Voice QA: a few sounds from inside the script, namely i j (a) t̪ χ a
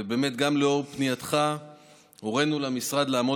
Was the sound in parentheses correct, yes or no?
yes